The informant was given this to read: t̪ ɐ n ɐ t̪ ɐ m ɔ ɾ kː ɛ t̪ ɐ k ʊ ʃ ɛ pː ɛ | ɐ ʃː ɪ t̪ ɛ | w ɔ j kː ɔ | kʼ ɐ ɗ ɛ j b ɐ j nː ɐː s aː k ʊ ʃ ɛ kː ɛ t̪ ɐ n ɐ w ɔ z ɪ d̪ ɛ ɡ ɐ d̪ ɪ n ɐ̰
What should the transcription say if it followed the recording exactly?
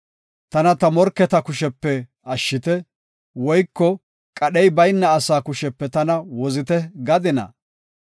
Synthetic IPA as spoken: t̪ ɐ n ɐ t̪ ɐ m ɔ ɾ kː ɛ t̪ ɐ k ʊ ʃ ɛ pː ɛ | ɐ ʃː ɪ t̪ ɛ | w ɔ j kː ɔ | kʼ ɐ ɗ ɛ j b ɐ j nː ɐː s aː k ʊ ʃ ɛ pː ɛ t̪ ɐ n ɐ w ɔ z ɪ t̪ ɛ ɡ ɐ d̪ ɪ n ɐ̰